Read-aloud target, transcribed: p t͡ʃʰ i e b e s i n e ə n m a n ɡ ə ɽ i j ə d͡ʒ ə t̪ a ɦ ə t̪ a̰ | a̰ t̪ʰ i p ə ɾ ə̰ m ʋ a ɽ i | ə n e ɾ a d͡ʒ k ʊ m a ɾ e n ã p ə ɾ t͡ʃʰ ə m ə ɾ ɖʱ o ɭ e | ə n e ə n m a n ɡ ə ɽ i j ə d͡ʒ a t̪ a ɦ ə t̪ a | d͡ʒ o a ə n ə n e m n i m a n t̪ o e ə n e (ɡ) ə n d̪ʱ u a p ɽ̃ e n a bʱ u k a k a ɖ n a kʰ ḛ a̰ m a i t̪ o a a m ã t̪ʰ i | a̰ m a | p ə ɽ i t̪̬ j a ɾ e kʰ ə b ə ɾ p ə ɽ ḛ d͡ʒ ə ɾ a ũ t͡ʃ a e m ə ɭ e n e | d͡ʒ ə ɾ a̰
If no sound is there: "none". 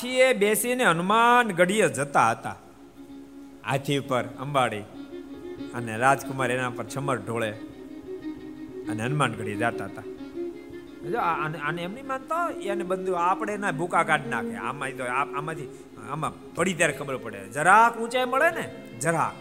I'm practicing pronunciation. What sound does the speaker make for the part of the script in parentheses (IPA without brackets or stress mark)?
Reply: b